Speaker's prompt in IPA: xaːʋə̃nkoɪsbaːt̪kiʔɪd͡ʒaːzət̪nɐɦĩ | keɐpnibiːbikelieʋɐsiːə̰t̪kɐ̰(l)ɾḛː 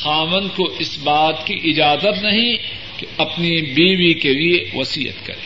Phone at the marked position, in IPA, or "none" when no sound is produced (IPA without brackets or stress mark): none